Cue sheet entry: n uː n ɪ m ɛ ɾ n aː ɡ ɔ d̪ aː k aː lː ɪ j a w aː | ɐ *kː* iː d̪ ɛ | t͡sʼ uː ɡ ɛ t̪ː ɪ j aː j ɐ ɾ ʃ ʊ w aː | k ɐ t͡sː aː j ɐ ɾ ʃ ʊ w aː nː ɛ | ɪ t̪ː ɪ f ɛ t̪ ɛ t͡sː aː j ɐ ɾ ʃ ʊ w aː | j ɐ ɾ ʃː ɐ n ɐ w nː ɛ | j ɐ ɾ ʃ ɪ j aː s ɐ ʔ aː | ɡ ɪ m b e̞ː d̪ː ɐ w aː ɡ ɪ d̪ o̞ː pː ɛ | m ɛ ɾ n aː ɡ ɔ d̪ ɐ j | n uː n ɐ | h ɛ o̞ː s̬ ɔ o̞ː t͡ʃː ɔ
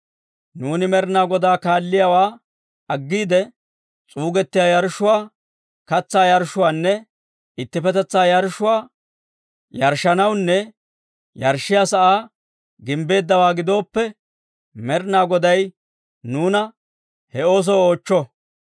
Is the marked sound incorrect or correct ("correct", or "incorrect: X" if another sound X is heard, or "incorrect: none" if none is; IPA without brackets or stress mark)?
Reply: incorrect: ɡː